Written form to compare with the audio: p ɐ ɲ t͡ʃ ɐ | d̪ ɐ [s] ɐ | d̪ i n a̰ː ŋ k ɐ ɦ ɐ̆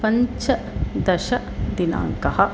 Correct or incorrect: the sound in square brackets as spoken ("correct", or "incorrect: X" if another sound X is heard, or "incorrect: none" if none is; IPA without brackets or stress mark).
incorrect: ʃ